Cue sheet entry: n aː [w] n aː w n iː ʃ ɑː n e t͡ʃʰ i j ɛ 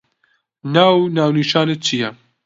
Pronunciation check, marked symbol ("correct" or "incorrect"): correct